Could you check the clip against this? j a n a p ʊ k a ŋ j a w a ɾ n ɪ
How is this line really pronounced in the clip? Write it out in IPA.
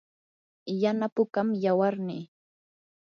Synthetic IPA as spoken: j a n a p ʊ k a m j a w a ɾ n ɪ